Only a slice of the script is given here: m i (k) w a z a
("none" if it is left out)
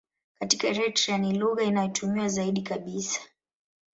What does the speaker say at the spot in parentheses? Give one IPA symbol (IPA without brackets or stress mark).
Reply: none